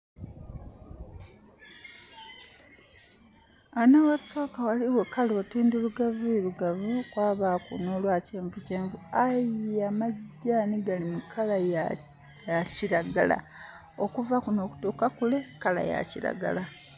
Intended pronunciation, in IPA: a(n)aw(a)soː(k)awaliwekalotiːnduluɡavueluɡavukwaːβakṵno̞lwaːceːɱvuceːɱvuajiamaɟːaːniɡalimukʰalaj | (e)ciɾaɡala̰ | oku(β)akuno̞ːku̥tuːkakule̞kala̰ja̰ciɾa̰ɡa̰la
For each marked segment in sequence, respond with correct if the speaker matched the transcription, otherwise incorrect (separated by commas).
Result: correct, correct, correct, incorrect, incorrect